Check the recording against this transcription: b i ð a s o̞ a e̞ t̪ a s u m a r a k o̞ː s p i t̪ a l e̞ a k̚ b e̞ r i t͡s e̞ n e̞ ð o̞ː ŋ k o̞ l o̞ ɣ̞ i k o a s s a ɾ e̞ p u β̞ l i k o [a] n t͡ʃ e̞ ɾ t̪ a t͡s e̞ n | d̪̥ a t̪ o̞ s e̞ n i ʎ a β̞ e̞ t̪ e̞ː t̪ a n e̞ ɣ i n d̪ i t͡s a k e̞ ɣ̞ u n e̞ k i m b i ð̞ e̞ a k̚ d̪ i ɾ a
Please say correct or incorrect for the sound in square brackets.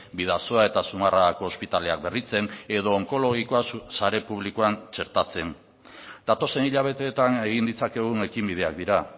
correct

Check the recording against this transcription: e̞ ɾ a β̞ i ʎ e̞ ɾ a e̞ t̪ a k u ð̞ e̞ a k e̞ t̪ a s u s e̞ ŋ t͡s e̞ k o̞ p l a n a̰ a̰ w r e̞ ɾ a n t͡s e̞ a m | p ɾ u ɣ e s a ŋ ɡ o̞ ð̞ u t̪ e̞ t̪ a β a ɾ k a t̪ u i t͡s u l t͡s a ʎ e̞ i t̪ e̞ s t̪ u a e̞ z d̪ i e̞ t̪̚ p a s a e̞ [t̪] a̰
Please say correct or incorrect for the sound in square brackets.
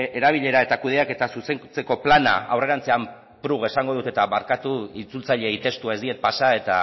correct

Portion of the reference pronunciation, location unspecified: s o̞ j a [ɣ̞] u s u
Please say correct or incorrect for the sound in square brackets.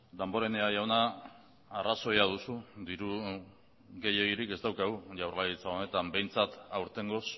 incorrect: ð̞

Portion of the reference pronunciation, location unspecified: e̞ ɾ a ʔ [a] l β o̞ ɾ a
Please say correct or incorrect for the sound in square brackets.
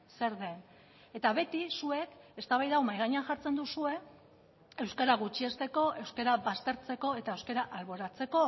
correct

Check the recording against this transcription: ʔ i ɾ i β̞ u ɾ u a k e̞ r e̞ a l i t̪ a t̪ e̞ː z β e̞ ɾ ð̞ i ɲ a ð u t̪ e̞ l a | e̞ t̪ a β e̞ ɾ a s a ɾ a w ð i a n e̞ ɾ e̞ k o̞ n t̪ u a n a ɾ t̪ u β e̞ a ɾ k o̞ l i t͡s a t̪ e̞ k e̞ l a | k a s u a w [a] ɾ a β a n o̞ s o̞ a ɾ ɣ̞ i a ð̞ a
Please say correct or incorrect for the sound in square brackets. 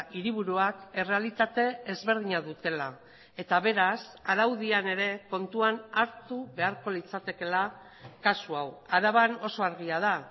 correct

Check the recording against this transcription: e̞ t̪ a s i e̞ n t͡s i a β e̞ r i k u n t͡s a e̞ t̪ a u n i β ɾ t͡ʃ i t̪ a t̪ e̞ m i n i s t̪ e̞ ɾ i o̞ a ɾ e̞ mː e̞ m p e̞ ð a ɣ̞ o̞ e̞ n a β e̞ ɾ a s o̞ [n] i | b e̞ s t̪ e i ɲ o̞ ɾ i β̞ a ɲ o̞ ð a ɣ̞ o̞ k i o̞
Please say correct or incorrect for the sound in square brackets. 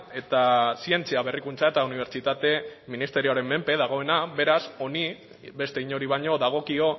correct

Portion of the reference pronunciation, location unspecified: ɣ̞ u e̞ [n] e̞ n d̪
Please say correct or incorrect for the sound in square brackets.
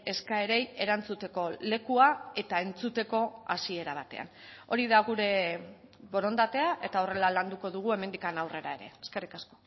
incorrect: m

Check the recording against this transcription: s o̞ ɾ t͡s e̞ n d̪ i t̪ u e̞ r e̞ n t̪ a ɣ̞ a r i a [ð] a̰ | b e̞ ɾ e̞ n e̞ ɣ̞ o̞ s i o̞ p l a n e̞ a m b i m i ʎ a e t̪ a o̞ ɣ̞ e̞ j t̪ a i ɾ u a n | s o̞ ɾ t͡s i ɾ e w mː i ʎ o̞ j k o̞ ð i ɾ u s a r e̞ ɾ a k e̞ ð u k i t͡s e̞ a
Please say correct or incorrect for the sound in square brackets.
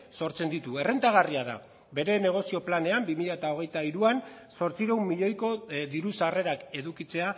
correct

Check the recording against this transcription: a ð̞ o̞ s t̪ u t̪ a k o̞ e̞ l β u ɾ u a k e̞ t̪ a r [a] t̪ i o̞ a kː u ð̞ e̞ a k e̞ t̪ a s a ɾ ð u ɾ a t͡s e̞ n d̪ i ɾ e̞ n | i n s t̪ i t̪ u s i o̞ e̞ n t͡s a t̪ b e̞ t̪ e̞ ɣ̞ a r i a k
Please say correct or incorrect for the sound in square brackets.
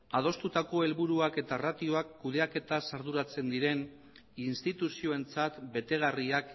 correct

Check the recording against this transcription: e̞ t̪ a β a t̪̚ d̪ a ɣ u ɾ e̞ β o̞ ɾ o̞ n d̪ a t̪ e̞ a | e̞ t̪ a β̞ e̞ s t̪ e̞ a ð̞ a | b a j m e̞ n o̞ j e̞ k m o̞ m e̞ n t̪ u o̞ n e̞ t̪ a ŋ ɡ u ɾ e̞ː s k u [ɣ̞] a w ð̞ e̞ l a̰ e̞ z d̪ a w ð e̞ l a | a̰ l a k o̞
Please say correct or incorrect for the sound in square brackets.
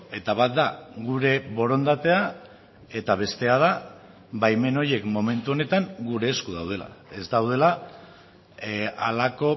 incorrect: ð̞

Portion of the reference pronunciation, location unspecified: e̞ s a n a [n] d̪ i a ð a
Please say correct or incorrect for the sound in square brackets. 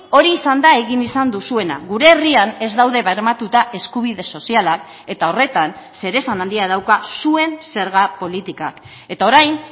correct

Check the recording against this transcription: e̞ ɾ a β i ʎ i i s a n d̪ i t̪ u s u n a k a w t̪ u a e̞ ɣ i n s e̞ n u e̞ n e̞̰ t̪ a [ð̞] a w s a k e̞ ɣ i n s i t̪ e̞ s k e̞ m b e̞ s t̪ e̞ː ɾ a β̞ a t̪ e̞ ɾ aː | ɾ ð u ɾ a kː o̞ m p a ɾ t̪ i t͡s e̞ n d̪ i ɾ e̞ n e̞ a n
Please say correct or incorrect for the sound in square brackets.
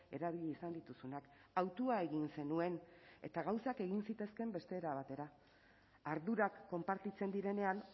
incorrect: ɣ̞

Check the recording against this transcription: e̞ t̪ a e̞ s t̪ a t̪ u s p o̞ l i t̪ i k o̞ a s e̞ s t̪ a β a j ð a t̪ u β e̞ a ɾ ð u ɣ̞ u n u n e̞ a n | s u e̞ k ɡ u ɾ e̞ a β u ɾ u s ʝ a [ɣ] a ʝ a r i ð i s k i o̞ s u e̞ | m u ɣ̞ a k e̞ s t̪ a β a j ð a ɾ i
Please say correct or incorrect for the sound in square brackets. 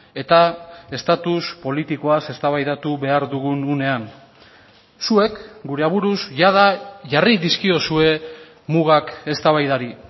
incorrect: ð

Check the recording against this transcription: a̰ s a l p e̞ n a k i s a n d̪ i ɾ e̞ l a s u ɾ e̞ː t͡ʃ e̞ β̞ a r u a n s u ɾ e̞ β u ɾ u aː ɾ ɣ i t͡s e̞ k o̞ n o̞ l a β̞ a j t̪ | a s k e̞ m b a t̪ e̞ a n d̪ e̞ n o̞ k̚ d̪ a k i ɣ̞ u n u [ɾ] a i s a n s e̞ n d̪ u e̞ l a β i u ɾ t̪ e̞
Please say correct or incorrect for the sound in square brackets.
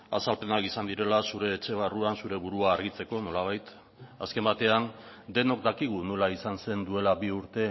incorrect: l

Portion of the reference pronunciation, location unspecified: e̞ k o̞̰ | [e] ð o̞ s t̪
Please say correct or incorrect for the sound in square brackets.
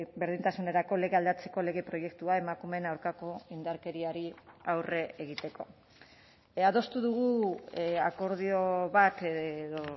incorrect: a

